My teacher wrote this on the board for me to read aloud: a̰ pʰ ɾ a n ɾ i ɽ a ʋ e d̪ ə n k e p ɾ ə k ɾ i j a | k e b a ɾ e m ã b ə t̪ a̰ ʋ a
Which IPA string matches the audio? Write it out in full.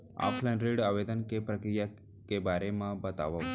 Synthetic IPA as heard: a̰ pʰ l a n ɾ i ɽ a ʋ e d̪ ə n k e p ɾ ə k ɾ i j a | k e b a ɾ e m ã b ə t̪ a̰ ʋ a